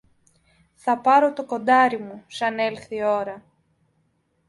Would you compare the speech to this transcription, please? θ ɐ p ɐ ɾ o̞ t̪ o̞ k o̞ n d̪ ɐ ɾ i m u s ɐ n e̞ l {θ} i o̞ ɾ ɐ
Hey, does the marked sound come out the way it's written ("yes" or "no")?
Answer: yes